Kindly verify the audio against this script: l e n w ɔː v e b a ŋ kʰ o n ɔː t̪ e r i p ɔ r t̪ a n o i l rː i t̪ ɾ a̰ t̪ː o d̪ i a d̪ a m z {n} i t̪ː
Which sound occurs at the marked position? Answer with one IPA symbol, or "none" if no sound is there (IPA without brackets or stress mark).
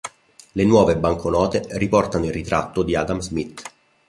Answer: m